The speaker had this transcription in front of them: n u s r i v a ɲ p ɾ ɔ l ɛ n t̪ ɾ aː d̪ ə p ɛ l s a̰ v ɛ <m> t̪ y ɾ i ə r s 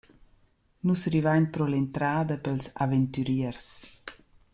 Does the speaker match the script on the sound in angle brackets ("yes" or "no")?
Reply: no